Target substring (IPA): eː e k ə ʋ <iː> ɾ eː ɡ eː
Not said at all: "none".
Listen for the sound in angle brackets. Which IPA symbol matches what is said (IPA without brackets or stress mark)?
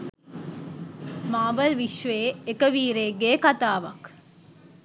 iː